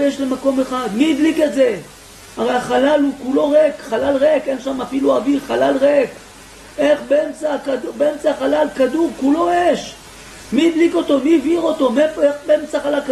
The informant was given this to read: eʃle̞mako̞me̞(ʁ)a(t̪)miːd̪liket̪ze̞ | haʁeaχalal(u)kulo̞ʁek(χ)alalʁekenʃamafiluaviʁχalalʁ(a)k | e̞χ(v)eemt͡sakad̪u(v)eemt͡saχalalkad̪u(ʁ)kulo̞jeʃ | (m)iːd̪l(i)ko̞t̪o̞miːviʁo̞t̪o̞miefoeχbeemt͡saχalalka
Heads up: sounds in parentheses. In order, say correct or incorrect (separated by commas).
incorrect, incorrect, correct, correct, incorrect, incorrect, incorrect, correct, correct, correct